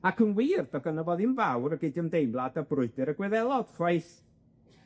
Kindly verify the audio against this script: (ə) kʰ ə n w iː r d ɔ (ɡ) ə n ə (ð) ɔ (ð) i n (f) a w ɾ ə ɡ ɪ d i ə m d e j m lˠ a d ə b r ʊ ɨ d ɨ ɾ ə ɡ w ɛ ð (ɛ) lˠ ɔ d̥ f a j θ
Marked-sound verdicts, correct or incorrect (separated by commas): incorrect, correct, incorrect, correct, incorrect, correct